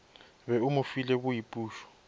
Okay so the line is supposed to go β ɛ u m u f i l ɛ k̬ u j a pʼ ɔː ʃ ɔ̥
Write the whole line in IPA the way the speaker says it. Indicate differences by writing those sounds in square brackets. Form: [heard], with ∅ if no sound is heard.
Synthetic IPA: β ɛ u m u f i l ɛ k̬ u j [i] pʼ [uː] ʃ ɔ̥